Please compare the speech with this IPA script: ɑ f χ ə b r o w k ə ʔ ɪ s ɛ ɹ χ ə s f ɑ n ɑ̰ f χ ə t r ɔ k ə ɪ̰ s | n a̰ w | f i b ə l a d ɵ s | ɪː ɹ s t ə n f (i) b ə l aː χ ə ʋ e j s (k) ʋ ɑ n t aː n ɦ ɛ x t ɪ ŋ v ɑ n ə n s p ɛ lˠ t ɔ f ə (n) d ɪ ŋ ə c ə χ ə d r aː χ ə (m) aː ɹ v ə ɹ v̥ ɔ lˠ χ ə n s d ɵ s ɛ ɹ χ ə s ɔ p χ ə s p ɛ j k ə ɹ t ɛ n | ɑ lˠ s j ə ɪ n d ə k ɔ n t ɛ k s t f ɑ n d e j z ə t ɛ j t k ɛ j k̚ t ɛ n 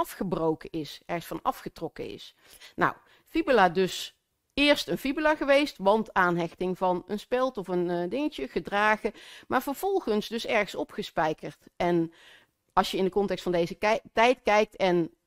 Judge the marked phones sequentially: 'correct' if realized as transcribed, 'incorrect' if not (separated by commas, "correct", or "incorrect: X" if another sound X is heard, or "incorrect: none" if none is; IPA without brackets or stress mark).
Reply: correct, incorrect: t, correct, correct